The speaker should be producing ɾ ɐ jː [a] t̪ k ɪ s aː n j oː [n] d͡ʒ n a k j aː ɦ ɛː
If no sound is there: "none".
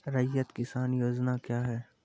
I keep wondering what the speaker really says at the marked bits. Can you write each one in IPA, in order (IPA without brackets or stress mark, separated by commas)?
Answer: ə, none